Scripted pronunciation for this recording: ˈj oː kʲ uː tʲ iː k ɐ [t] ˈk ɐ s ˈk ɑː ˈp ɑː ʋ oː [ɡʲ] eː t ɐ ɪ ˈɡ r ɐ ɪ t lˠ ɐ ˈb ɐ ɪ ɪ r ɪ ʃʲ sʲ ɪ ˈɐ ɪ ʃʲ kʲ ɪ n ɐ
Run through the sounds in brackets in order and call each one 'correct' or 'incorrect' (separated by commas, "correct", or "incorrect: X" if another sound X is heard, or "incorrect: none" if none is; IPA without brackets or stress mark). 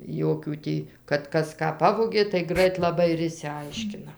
correct, correct